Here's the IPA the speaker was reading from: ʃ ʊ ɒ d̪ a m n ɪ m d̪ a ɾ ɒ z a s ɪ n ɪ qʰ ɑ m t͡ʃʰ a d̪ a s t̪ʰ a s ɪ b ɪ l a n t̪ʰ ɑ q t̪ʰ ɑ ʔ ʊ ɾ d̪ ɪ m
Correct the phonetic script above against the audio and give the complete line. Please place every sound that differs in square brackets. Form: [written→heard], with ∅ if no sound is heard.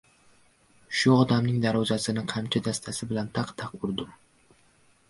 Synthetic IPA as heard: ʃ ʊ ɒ d̪ a m n ɪ [m→ŋ] d̪ a ɾ ɒ z a s ɪ n ɪ qʰ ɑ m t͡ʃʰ a d̪ a s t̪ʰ a s ɪ b ɪ l a n t̪ʰ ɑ q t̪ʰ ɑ [ʔ→q] ʊ ɾ d̪ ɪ m